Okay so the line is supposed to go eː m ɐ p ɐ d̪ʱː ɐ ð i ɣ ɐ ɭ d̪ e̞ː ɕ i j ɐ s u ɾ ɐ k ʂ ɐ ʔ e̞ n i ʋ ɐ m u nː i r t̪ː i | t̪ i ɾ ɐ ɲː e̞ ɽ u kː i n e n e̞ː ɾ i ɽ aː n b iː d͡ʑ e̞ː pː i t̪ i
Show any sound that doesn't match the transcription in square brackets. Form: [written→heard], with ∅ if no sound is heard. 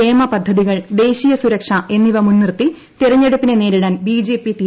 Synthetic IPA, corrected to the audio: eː m ɐ p ɐ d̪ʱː ɐ ð i ɣ ɐ ɭ d̪ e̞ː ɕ i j ɐ s u ɾ ɐ k ʂ ɐ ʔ e̞ [n→nː] i ʋ ɐ m u nː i r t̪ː i | t̪ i ɾ ɐ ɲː e̞ ɽ u [kː→pː] i n e n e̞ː ɾ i ɽ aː n b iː d͡ʑ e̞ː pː i t̪ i

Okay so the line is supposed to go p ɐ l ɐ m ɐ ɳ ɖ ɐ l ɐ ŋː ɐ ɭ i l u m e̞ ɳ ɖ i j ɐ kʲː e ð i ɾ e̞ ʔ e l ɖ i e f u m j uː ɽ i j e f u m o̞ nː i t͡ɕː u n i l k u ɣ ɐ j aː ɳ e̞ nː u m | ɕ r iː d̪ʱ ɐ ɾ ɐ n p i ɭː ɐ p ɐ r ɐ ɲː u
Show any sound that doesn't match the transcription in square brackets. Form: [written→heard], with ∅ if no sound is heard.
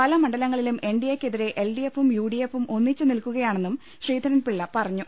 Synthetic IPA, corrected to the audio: p ɐ l ɐ m ɐ ɳ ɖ ɐ l ɐ ŋː ɐ ɭ i l u m e̞ ɳ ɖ i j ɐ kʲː e ð i ɾ e̞ ʔ e l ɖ i e f u m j uː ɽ i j e f u m o̞ nː i t͡ɕː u n i l k u ɣ ɐ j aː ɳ e̞ nː u m | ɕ r iː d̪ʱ ɐ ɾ ɐ n p i ɭː ɐ p ɐ r ɐ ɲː u

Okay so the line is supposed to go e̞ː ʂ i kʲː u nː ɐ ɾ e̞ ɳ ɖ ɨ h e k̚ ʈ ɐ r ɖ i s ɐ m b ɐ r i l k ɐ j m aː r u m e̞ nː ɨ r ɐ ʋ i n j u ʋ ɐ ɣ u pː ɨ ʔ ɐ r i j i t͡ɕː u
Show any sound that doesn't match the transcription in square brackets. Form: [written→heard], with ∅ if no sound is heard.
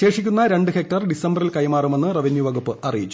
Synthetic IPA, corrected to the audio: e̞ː ʂ i kʲː u nː ɐ ɾ e̞ ɳ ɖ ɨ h e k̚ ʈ ɐ r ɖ i s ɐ m b ɐ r i l k ɐ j m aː r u m e̞ nː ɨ r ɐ ʋ i n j u ʋ ɐ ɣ u pː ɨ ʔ ɐ r i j i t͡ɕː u

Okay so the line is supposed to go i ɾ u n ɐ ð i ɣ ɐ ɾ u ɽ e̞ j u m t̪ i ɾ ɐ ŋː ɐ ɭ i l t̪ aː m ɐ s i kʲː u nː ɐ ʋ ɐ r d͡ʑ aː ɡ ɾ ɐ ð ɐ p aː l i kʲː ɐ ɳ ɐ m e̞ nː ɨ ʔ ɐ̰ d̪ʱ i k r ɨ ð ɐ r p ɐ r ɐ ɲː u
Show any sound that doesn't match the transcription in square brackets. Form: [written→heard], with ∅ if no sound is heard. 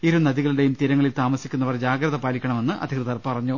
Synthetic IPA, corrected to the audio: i ɾ u n ɐ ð i ɣ ɐ [ɾ→ɭ] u ɽ e̞ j u m t̪ i ɾ ɐ ŋː ɐ ɭ i l t̪ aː m ɐ s i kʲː u nː ɐ ʋ ɐ r d͡ʑ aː ɡ ɾ ɐ ð ɐ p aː l i kʲː ɐ ɳ ɐ m e̞ nː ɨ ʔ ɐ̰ d̪ʱ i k r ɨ ð ɐ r p ɐ r ɐ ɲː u

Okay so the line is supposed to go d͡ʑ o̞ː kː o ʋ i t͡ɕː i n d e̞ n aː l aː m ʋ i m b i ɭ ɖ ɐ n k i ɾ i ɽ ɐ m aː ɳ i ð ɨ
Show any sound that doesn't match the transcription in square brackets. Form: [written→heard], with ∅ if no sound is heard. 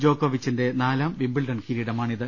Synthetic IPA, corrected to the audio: d͡ʑ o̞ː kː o ʋ i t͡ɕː i n d e̞ n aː l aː m ʋ i m b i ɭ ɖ ɐ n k i ɾ i ɽ ɐ m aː ɳ i ð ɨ

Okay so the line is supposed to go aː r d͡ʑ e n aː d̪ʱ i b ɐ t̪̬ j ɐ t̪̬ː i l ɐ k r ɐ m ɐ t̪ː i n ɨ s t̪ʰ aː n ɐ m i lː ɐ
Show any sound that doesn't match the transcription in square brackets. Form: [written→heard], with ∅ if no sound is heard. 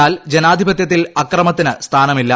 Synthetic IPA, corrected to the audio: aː [r→l] d͡ʑ e n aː d̪ʱ i b ɐ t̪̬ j ɐ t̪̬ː i l ɐ k r ɐ m ɐ t̪ː i n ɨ s t̪ʰ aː n ɐ m i lː ɐ

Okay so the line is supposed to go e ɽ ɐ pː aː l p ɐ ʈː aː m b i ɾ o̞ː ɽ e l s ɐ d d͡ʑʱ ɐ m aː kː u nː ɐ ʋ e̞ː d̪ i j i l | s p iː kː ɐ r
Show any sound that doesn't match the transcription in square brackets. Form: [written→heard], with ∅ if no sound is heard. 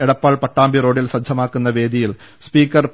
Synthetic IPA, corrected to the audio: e ɽ ɐ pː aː [l→ɭ] p ɐ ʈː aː m b i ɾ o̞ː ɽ [e→i] l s ɐ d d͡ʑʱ ɐ m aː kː u nː ɐ ʋ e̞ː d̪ i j i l | s p iː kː ɐ r

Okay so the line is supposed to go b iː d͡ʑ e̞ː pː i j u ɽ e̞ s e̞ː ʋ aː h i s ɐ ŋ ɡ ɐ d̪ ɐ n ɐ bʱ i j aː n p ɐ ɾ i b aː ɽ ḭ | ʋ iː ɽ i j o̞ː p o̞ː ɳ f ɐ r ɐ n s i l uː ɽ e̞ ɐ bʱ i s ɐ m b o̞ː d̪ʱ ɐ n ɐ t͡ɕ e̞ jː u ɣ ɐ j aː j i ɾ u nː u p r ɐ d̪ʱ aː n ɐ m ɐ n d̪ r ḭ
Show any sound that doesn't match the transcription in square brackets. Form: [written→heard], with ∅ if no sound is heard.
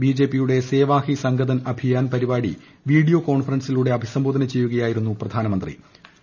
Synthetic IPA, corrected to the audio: b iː d͡ʑ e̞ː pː i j u ɽ e̞ s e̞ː ʋ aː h i s ɐ ŋ ɡ ɐ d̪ ɐ n ɐ bʱ i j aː n p ɐ ɾ i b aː ɽ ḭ | ʋ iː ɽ i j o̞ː [p→k] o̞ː ɳ f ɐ r ɐ n s i l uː ɽ e̞ ɐ bʱ i s ɐ m b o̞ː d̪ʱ ɐ n ɐ t͡ɕ e̞ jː u ɣ ɐ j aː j i ɾ u nː u p r ɐ d̪ʱ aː n ɐ m ɐ n d̪ r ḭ

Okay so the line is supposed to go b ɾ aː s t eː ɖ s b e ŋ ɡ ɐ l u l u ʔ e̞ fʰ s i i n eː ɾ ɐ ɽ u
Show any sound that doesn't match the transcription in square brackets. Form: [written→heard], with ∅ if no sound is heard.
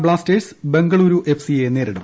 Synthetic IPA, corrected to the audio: b [ɾ→ɭ] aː s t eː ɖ s b e ŋ ɡ ɐ [l→ɭ] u [l→ɾ] u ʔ e̞ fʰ s i [i→e] n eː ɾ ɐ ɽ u

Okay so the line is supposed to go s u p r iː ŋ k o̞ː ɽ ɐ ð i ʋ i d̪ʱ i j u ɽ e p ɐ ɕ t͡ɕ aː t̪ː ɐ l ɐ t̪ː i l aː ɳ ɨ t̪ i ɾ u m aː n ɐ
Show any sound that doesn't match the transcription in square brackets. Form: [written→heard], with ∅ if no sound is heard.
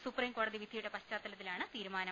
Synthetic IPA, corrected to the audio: s u p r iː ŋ k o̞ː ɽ ɐ ð i ʋ i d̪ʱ i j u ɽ e p ɐ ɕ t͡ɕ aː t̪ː ɐ l ɐ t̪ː i l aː ɳ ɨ t̪ [i→iː] ɾ u m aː n ɐ

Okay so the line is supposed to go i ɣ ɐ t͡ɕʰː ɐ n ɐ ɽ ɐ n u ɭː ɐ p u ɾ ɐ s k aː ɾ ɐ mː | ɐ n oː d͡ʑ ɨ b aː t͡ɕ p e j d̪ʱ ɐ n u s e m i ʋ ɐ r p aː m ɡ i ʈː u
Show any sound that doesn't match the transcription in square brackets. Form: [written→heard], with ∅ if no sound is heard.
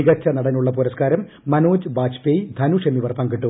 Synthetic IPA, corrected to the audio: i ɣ ɐ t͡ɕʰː ɐ n ɐ ɽ ɐ n u ɭː ɐ p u ɾ ɐ s k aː ɾ ɐ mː | ɐ n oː d͡ʑ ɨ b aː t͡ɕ p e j d̪ʱ ɐ n u [s→ʂ] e m i ʋ ɐ r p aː [m→ŋ] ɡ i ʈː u

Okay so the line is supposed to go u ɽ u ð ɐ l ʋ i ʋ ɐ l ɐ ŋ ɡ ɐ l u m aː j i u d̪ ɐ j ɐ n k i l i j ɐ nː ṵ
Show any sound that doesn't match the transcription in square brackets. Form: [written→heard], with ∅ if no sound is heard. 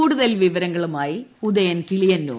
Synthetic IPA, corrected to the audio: [u→uː] ɽ u ð ɐ l ʋ i ʋ ɐ [l→ɾ] ɐ ŋ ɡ ɐ [l→ɭ] u m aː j i u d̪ ɐ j ɐ n k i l i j ɐ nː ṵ

